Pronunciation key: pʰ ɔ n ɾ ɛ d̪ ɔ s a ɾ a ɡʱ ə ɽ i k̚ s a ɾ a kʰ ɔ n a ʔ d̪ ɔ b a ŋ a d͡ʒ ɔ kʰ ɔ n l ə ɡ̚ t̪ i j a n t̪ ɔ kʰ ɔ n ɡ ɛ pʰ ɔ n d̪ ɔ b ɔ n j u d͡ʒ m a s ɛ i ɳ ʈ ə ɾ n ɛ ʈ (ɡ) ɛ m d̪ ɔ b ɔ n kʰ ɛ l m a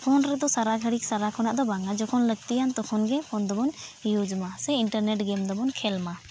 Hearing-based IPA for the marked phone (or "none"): ɡ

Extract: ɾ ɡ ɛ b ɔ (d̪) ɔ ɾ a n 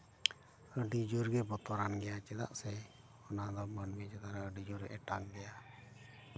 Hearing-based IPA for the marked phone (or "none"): t̪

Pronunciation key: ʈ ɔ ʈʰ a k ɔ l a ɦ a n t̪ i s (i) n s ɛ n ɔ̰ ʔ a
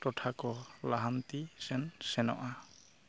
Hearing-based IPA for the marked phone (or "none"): ɛ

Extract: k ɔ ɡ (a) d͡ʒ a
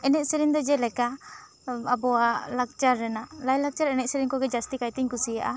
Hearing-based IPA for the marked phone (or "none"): ɛ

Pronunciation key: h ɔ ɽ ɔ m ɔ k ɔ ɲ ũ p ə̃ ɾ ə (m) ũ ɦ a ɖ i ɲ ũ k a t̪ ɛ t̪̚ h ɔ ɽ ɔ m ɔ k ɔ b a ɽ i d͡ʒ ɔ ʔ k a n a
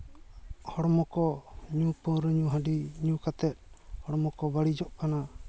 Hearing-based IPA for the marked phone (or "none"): ɲ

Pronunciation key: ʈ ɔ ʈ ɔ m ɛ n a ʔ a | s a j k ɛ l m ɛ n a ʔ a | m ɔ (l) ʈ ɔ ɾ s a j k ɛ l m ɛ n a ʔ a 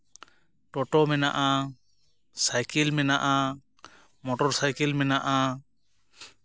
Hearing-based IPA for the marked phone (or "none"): none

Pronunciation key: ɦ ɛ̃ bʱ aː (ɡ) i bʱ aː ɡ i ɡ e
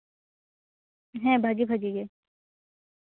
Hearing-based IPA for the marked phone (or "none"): ɡ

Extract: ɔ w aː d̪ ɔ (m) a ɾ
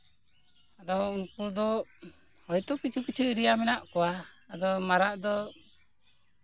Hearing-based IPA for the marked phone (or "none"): m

